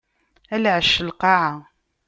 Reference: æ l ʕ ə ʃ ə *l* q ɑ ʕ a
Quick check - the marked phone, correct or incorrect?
correct